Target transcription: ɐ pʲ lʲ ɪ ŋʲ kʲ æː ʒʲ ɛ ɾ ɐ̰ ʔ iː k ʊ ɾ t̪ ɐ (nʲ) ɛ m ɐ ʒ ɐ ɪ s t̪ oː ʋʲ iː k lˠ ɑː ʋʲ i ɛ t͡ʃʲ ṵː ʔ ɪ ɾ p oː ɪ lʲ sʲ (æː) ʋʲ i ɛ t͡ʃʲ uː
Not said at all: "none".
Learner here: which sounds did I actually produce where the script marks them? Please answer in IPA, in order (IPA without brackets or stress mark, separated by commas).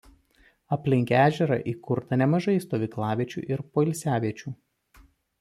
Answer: nʲ, æː